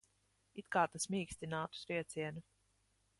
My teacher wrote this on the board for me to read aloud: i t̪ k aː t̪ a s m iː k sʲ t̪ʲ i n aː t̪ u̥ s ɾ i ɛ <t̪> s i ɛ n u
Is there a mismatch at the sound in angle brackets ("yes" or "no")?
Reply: no